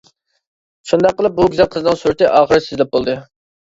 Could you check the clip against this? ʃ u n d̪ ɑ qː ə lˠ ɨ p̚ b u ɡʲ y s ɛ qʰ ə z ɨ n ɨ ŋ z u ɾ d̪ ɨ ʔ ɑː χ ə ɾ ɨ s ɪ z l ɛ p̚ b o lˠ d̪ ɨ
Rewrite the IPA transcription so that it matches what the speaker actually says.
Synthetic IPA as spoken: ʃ u n d̪ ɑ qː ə lˠ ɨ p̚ b u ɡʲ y z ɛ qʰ ə z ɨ n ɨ ŋ s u ɾ t̪ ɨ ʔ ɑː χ ə ɾ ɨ s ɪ z l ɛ p̚ b o lˠ d̪ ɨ